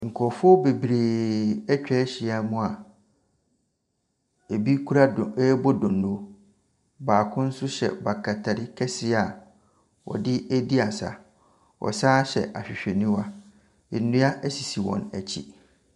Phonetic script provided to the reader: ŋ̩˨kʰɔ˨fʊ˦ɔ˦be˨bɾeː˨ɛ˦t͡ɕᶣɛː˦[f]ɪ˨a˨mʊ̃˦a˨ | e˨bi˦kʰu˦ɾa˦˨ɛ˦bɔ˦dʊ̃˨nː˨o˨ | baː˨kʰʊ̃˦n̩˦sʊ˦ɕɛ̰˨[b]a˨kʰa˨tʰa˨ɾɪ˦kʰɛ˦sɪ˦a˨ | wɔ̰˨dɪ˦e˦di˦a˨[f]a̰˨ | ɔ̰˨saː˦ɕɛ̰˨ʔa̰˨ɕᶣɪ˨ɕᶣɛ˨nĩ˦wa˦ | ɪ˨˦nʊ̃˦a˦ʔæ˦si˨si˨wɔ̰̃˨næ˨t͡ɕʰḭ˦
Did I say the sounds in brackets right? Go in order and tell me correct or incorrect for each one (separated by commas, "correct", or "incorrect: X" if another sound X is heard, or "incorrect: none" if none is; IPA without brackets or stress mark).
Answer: incorrect: ɕ, correct, incorrect: s